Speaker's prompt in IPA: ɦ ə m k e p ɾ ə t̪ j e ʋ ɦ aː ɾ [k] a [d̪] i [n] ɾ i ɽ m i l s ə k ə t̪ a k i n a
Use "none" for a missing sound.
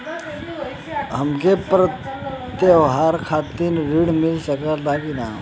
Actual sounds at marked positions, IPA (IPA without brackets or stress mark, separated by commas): kʰ, t̪, n